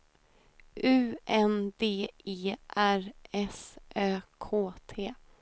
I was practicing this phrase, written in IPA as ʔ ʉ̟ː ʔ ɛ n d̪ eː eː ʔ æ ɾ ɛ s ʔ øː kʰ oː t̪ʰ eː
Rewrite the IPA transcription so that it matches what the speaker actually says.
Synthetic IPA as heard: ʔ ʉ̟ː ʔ ɛ n d̪ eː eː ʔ æ ɾ ɛ s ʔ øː kʰ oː t̪ʰ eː